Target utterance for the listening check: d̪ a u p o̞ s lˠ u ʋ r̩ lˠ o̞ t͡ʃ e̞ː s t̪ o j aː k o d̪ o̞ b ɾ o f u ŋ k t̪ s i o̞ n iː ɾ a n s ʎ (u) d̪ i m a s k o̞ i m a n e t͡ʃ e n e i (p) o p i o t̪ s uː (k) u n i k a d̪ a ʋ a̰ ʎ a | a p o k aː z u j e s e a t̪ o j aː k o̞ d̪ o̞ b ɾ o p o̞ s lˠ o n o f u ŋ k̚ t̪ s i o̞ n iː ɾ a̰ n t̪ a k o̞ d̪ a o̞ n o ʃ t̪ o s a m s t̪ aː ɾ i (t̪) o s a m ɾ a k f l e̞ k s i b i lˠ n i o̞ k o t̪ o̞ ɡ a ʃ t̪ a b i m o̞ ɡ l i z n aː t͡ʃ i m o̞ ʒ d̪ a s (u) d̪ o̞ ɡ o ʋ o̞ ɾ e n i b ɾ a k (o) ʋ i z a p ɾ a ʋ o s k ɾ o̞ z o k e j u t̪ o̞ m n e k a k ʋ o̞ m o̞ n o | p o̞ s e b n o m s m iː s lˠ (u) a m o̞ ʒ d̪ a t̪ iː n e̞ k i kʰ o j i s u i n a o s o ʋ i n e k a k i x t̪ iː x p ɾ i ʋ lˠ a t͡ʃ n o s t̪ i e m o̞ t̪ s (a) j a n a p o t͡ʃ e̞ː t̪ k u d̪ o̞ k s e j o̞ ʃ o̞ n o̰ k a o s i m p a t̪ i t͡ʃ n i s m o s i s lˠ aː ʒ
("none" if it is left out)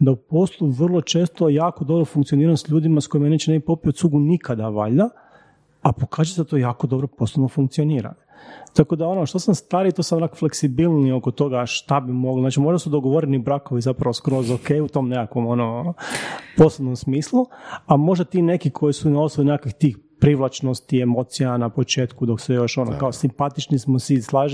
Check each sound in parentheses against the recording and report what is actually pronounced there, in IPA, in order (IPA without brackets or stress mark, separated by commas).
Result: uː, p, ɡ, t̪, u, o, u, i